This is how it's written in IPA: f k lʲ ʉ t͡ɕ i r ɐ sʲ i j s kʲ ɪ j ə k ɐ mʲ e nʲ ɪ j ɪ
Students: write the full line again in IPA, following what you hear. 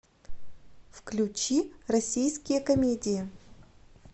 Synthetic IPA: f k lʲ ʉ t͡ɕ i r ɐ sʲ i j s kʲ ɪ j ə k ɐ mʲ e dʲ ɪ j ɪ

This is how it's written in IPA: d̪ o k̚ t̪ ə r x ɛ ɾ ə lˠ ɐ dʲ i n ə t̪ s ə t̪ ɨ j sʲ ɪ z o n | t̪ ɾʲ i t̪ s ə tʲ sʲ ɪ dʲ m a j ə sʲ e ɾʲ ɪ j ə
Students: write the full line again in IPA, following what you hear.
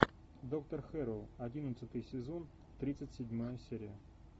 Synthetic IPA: d̪ o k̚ t̪ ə r x ɛ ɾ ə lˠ ɐ dʲ i n ə t̪ s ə t̪ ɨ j sʲ ɪ z o n | t̪ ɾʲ i t̪ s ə tʲ sʲ ɪ dʲ m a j ə sʲ e ɾʲ ɪ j ə

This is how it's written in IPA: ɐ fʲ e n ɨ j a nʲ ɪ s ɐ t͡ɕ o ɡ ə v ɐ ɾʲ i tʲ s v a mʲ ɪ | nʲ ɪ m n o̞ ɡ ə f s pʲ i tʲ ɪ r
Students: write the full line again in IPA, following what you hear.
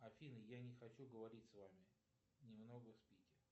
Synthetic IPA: ɐ fʲ i n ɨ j a nʲ ɪ x ɐ t͡ɕ u ɡ ə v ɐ ɾʲ i tʲ s v a mʲ ɪ | nʲ ɪ m n o̞ ɡ ə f s pʲ i kʲ ɪ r

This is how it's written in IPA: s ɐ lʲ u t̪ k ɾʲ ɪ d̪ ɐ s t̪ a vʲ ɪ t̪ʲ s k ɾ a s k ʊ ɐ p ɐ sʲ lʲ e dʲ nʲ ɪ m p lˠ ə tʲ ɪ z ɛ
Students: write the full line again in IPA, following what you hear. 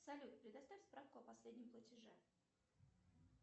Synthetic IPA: s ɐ lʲ u t̪ p ɾʲ ɪ d̪ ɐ s t̪ a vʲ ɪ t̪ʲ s p ɾ a f k ʊ ɐ p ɐ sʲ lʲ e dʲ nʲ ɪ m p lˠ ə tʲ ɪ ʐ ɛ

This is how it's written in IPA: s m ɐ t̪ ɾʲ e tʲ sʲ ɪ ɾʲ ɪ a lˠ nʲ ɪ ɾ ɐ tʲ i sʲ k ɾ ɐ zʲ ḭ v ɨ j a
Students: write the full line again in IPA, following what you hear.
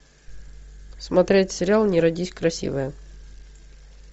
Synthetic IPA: s m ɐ t̪ ɾʲ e tʲ sʲ ɪ ɾʲ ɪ a lˠ nʲ ɪ ɾ ɐ dʲ i sʲ k ɾ ɐ sʲ ḭ v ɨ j ə

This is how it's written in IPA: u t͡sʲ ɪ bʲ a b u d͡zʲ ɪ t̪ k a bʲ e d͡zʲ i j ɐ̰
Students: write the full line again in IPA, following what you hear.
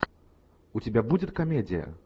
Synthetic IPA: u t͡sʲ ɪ bʲ a b u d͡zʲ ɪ t̪ k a mʲ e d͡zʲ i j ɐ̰

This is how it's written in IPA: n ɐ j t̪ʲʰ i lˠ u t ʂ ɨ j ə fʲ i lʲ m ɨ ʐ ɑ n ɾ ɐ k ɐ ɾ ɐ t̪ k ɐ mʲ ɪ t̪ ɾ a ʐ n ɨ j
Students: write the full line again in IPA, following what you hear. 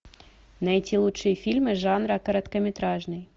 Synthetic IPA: n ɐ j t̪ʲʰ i lˠ u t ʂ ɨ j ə fʲ i lʲ m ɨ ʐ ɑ n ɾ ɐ k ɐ ɾ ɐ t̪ k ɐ mʲ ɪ t̪ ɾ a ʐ n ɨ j

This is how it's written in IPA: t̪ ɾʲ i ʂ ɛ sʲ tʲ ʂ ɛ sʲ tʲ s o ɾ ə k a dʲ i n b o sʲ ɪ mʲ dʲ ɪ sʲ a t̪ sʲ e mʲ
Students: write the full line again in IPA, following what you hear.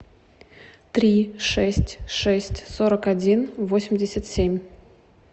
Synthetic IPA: t̪ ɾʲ i ʂ ɛ sʲ tʲ ʂ ɛ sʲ tʲ s o ɾ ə k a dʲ i n v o sʲ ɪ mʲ dʲ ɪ sʲ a t̪ sʲ e mʲ

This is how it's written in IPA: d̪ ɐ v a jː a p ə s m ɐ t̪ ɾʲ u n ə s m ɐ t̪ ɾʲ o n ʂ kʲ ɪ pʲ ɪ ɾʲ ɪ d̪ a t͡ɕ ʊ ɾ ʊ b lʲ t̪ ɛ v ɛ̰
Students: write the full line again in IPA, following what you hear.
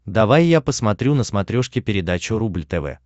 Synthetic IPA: d̪ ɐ v a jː a p ə s m ɐ t̪ ɾʲ u n ə s m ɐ t̪ ɾʲ o ʂ kʲ ɪ pʲ ɪ ɾʲ ɪ d̪ a t͡ɕ ʊ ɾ u b lʲ t̪ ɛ v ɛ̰

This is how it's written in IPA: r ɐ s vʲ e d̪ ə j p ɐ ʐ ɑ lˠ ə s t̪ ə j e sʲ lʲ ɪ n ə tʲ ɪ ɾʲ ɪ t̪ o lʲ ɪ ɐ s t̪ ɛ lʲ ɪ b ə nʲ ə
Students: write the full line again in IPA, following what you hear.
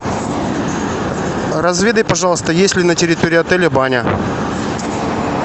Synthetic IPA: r ɐ z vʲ e d̪ ə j p ɐ ʐ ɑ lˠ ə s t̪ ə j e sʲ lʲ ɪ n ə tʲ ɪ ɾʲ ɪ t̪ o ɾʲ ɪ ɐ t̪ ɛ lʲ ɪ b a nʲ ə

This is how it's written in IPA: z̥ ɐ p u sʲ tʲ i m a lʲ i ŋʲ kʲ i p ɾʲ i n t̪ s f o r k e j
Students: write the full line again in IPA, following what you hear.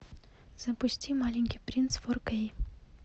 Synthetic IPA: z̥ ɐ p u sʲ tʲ i m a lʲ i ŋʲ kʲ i p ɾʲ i n t̪ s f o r k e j

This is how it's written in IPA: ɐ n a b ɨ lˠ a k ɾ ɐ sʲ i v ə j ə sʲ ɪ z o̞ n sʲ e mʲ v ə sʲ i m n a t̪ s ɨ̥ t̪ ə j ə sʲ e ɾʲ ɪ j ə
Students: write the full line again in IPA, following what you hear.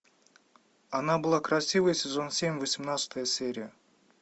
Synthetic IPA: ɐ n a b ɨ lˠ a k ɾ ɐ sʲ i v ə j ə sʲ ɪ z o̞ n sʲ e mʲ v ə sʲ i m n a t̪ s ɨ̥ t̪ ə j ə sʲ e ɾʲ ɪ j ə

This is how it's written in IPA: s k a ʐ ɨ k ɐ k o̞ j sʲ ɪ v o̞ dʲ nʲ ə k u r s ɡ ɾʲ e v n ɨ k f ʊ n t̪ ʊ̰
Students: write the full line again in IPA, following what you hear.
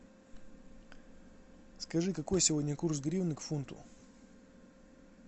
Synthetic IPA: s k ɐ ʐ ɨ k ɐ k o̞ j sʲ ɪ v o̞ dʲ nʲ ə k u r s ɡ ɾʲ i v n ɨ k f u n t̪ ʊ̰

